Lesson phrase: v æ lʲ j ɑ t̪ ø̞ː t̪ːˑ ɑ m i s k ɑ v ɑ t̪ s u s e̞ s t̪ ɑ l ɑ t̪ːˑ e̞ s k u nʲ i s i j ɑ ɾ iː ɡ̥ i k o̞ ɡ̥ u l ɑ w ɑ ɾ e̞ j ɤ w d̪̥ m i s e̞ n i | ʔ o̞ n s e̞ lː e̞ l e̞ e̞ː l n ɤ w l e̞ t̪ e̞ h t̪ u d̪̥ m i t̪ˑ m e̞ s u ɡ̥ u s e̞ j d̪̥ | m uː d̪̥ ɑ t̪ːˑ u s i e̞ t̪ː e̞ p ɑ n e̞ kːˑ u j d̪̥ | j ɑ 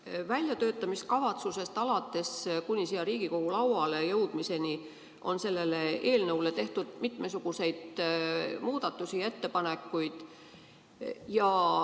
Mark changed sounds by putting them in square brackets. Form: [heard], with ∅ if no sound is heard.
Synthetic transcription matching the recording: v æ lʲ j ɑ t̪ ø̞ː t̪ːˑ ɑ m i s k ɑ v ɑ t̪ s u s e̞ s t̪ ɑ l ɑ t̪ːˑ e̞ s k u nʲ i s i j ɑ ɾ iː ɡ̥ i k o̞ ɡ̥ u l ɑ w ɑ [l] e̞ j ɤ w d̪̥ m i s e̞ n i | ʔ o̞ n s e̞ lː e̞ l e̞ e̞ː l n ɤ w l e̞ t̪ e̞ h t̪ u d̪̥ m i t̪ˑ m e̞ s u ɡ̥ u s e̞ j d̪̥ | m uː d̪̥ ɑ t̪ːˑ u s i e̞ t̪ː e̞ p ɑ n e̞ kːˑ u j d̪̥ | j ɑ